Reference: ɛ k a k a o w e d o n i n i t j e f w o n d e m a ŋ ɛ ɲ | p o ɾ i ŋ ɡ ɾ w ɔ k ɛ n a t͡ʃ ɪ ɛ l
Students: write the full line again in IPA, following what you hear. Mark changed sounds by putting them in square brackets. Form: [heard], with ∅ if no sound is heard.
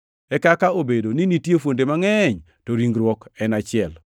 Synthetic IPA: ɛ k a k a o [b] e d o n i n i t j e f w o n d e m a ŋ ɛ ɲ | [t] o ɾ i ŋ ɡ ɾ w ɔ k ɛ n a t͡ʃ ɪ ɛ l